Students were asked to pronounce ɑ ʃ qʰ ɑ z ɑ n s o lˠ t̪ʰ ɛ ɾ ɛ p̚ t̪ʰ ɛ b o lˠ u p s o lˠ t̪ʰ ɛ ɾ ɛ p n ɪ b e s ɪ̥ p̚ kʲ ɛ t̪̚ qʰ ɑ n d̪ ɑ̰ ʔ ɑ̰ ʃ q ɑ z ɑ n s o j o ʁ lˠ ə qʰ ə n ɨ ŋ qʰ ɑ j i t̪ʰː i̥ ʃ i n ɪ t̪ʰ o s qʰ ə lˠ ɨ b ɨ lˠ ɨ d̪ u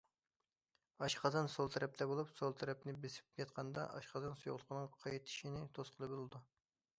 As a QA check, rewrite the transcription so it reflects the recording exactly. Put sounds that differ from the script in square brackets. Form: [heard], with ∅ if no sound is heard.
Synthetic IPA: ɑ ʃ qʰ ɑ z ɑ n s o lˠ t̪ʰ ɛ ɾ ɛ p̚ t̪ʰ ɛ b o lˠ u p s o lˠ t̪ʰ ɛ ɾ ɛ p n ɪ b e s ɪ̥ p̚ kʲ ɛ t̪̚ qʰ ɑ n d̪ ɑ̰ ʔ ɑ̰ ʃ q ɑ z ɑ n s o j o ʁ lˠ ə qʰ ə n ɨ ŋ qʰ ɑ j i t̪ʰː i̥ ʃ i n ɪ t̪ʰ o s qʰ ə lˠ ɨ b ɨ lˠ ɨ d̪ u